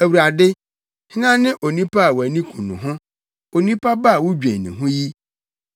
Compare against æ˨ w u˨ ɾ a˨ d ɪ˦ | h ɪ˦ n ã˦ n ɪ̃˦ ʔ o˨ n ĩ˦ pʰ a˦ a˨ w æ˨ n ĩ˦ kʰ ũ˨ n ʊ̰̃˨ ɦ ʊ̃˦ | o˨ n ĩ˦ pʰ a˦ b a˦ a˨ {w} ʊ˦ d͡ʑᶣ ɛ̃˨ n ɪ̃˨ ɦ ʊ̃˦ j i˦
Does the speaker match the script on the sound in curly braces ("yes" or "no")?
yes